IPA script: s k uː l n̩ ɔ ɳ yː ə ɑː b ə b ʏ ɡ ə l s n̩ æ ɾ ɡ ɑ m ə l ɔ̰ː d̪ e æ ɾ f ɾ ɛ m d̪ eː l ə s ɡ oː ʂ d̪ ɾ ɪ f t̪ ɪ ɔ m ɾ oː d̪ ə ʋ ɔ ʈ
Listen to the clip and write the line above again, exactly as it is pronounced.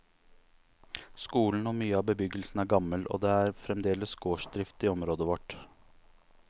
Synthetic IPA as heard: s k uː l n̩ ɔ m yː ə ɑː b ə b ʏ ɡ ə l s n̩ æ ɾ ɡ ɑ m ə l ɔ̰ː d̪ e æ ɾ f ɾ ɛ m d̪ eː l ə s ɡ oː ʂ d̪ ɾ ɪ f t̪ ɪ ɔ m ɾ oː d̪ ə ʋ ɔ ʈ